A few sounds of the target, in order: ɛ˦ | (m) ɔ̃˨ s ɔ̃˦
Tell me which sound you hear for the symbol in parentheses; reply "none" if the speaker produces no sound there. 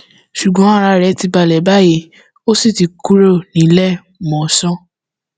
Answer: m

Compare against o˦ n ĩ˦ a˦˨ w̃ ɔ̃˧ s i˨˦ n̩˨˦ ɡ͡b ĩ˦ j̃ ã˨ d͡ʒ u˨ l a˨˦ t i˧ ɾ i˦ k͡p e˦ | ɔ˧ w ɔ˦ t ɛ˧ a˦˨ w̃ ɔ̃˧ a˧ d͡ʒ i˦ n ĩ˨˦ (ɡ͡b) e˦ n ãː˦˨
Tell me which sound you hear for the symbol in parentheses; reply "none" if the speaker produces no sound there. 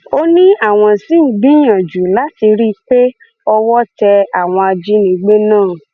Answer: ɡ͡b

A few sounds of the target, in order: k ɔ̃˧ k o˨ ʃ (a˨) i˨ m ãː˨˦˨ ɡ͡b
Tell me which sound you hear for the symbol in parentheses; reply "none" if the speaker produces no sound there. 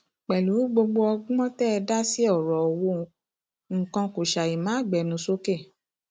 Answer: a˨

